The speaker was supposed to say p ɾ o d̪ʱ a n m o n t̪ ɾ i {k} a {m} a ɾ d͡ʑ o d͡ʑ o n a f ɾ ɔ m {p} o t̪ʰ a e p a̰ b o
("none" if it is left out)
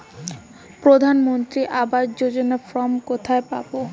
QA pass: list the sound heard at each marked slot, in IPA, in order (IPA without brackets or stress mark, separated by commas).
ʔ, b, k